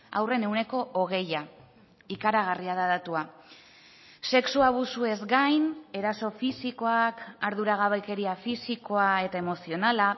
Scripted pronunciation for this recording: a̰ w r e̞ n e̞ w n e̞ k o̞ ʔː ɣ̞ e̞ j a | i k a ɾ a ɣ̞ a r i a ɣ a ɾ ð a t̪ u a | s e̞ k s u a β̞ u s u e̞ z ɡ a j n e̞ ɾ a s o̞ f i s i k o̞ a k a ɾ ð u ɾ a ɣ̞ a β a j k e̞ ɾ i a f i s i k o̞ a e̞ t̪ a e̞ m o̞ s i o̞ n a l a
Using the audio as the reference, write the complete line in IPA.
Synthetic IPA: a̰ w r e̞ n e̞ w n e̞ k o̞ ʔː ɣ̞ e̞ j a | i k a ɾ a ɣ̞ a r i a ð a ð a t̪ u a | s e̞ k s u a β̞ u s u e̞ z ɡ a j n e̞ ɾ a s o̞ f i s i k o̞ a k a ɾ ð u ɾ a ɣ̞ a β a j k e̞ ɾ i a f i s i k o̞ a e̞ t̪ a e̞ m o̞ s i o̞ n a l a